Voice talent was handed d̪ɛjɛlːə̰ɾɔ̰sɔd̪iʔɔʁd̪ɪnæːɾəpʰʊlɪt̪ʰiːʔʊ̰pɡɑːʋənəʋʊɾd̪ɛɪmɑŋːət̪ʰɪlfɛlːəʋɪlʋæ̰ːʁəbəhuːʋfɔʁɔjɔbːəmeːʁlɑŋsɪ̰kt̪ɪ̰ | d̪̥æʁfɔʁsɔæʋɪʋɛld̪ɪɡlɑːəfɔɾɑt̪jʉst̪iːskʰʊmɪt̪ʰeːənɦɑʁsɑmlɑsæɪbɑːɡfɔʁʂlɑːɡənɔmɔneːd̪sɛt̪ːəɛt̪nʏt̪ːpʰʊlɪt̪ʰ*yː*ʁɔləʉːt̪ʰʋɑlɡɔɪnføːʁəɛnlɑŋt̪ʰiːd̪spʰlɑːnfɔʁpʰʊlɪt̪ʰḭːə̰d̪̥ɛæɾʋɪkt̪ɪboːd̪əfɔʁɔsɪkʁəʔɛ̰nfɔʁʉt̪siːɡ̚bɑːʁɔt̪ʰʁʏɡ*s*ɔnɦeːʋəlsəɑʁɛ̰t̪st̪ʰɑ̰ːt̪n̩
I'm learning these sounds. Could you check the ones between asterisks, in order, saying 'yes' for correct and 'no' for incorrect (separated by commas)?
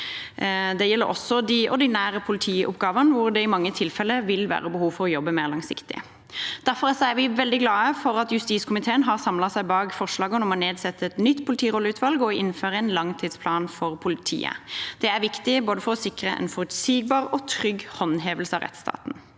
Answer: no, no